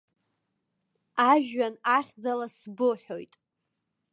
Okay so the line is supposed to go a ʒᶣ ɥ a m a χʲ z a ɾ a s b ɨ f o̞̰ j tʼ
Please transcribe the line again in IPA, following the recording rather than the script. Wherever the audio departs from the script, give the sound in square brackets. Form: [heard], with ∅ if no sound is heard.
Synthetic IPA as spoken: a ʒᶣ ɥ a [n] a χʲ [d͡z] a [l] a s b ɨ [ħ] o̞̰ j tʼ